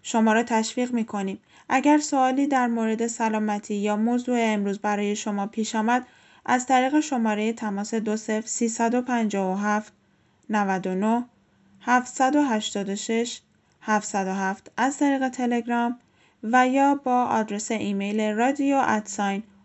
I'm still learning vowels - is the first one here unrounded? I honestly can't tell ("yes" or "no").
no